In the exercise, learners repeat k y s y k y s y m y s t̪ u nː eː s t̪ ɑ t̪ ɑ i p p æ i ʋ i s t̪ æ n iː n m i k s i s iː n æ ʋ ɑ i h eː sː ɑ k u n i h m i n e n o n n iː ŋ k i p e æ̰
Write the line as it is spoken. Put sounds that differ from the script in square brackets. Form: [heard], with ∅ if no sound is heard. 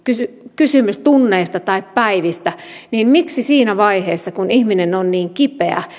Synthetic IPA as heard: k y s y k y s y m y s t̪ u nː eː s t̪ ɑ t̪ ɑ i p p æ i ʋ i s t̪ æ n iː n m i k s i s iː n æ ʋ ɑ i h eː sː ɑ k u n i h m i n e n o n n iː ŋ k i p e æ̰